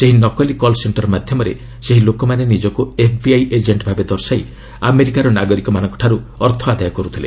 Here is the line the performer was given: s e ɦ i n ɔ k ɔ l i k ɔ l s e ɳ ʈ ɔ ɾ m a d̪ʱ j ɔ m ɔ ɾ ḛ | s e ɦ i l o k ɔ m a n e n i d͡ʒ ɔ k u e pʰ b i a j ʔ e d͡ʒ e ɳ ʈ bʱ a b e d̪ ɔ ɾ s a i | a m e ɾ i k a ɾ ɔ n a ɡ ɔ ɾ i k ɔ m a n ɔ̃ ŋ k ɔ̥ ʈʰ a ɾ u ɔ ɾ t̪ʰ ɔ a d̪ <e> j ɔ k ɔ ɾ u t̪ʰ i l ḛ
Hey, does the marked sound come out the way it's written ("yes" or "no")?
no